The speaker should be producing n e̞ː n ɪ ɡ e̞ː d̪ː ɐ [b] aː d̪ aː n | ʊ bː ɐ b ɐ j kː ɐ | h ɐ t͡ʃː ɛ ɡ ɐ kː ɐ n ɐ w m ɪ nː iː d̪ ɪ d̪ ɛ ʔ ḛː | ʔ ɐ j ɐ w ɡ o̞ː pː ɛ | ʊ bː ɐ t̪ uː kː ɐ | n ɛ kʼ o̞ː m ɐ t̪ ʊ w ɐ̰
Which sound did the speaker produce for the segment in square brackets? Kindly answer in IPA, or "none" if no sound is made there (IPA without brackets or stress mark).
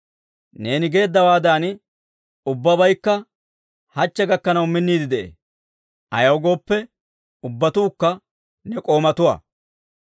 w